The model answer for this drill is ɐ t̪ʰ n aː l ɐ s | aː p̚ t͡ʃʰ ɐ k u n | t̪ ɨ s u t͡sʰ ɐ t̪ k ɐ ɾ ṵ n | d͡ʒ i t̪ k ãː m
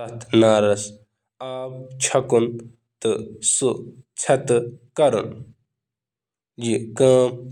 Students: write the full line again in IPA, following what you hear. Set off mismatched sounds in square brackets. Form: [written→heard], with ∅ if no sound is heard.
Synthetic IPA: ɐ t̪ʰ n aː [l→ɾ] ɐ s | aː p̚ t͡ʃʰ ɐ k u n | t̪ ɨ s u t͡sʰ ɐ t̪ k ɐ ɾ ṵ n | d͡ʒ i [t̪→∅] k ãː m